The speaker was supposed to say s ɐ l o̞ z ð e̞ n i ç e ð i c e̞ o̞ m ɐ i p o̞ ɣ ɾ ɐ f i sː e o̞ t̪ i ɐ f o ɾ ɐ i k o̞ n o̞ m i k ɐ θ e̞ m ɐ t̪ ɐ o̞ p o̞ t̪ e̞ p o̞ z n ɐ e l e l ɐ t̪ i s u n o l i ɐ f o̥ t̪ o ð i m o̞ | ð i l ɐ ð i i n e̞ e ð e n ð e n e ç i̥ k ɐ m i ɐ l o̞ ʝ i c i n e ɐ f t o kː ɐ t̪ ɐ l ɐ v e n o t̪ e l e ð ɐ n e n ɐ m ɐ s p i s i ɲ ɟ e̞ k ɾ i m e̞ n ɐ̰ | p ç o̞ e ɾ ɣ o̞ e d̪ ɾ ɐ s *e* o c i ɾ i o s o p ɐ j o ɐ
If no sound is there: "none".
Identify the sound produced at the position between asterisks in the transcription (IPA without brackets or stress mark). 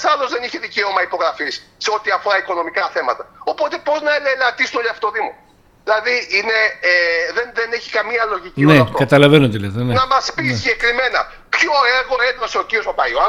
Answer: e